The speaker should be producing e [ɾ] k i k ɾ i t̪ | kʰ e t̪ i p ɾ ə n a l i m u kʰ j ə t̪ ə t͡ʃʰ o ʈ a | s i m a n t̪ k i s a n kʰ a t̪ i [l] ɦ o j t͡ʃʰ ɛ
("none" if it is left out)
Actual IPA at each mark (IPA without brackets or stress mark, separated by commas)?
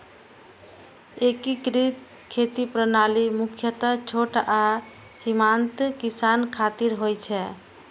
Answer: none, ɾ